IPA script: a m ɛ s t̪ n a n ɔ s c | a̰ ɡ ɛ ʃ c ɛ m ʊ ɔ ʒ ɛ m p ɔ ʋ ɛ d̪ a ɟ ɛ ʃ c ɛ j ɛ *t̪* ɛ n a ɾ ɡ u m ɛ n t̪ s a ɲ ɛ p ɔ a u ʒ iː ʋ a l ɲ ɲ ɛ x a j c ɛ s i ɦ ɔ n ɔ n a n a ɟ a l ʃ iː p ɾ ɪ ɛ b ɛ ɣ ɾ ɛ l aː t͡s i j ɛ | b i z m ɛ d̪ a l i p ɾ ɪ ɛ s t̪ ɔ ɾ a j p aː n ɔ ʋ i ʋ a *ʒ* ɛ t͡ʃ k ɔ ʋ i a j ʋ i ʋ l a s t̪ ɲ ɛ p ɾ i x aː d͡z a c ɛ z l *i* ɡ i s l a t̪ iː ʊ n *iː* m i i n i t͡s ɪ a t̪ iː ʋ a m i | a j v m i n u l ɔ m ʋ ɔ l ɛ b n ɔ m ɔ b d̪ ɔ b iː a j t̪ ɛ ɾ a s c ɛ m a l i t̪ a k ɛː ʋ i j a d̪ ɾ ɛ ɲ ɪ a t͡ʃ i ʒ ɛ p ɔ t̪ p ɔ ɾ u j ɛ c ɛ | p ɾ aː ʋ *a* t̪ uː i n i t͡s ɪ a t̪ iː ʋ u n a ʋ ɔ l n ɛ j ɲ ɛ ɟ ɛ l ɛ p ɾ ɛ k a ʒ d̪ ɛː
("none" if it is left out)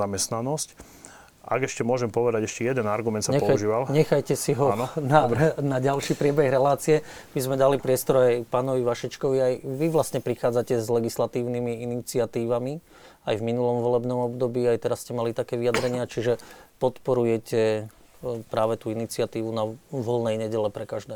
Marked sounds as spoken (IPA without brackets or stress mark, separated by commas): d̪, ʃ, ɛ, i, ɛ